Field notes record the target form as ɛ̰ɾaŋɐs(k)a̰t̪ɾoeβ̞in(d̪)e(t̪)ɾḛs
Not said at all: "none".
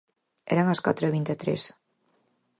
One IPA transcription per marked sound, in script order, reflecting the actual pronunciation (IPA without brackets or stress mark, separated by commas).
k, t̪, t̪